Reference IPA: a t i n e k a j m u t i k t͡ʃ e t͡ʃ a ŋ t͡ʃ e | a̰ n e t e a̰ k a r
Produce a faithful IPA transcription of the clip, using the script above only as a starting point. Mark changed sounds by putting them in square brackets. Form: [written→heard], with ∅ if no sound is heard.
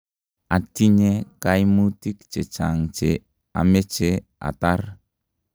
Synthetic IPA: a t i [n→ɲ] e k a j m u t i k t͡ʃ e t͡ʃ a ŋ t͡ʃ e | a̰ [n→m] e [t→t͡ʃ] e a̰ [k→t] a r